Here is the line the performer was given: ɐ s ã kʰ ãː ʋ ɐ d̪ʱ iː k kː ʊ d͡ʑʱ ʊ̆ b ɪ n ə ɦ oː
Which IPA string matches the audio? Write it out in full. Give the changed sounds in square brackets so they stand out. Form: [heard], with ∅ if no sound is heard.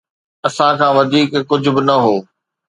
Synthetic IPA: ɐ s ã kʰ ãː ʋ ɐ d̪ʱ iː k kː ʊ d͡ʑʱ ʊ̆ b ɪ n [ɐ] ɦ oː